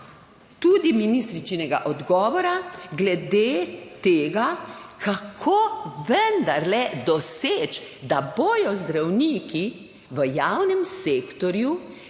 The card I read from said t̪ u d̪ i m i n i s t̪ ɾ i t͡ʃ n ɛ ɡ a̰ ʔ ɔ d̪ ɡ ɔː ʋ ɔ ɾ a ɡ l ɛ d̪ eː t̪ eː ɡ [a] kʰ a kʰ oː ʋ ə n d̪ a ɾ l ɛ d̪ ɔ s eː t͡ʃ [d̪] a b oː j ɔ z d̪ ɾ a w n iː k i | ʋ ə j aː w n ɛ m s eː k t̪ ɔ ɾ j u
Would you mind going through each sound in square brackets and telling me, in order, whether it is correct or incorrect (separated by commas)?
correct, correct